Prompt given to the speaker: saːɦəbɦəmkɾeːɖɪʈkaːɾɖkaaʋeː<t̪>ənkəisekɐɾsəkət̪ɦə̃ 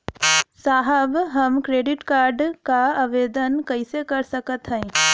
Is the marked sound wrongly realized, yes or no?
yes